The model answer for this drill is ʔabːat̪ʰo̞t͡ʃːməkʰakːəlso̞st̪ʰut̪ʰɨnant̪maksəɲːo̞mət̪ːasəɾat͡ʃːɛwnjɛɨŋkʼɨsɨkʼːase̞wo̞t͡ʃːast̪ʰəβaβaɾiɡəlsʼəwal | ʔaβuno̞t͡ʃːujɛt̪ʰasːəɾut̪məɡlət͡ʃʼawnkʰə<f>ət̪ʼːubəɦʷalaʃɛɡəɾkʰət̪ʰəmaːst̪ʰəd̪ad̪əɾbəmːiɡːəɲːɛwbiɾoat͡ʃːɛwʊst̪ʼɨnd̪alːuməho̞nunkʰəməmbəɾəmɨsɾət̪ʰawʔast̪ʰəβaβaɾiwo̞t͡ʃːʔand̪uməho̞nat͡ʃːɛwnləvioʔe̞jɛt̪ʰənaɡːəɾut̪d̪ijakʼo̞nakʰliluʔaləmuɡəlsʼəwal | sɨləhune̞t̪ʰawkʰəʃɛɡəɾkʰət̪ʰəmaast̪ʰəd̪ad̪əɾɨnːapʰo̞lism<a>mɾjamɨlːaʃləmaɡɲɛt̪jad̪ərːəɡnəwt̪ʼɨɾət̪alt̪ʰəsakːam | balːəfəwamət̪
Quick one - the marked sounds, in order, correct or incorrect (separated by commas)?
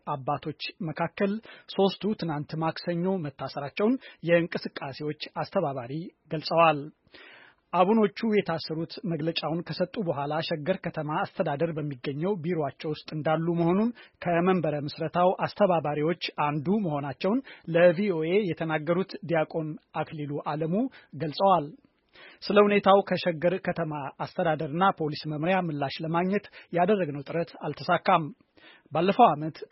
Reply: incorrect, incorrect